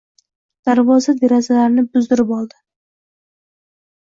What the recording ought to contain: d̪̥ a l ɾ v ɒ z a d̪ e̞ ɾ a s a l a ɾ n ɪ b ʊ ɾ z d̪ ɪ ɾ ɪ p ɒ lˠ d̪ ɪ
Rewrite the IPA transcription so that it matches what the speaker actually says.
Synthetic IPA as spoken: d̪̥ a ɾ v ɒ z a d̪ e̞ ɾ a z a l a ɾ n ɪ b ʊ z d̪ ɪ ɾ ɪ p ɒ lˠ d̪ ɪ